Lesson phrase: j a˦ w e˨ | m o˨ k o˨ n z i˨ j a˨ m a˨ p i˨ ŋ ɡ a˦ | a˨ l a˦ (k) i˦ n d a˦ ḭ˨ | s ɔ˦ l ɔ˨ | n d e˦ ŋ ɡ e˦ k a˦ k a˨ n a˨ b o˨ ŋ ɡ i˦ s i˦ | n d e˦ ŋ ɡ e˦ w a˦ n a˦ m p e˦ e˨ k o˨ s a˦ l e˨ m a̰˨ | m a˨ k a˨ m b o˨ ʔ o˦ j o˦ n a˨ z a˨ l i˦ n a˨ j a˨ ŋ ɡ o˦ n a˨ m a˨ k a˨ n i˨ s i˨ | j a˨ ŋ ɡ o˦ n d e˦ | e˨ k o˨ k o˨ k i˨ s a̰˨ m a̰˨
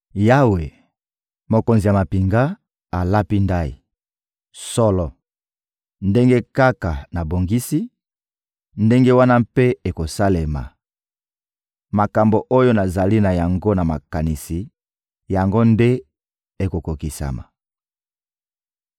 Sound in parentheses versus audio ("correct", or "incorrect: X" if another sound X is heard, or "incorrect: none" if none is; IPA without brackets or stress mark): incorrect: p